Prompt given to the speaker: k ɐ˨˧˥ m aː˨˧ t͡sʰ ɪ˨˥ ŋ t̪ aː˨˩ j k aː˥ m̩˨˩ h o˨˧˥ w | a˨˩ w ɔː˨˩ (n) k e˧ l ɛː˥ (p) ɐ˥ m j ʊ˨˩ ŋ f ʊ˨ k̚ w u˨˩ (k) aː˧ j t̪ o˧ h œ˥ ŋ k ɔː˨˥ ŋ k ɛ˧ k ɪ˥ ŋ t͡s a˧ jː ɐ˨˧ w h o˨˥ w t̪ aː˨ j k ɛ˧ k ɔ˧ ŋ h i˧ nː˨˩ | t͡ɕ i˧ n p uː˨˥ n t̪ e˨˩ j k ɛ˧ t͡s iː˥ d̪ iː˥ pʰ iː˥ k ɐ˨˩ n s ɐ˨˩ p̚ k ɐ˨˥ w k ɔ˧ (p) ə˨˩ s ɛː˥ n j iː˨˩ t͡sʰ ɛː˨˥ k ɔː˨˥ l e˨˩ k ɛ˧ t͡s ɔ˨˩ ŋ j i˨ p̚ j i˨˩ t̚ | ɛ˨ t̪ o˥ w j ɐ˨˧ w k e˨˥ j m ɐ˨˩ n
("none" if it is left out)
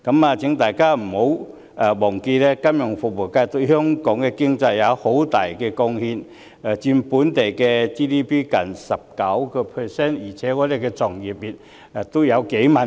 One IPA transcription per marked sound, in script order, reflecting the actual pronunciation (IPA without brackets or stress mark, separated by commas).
ŋ, k, k, pʰ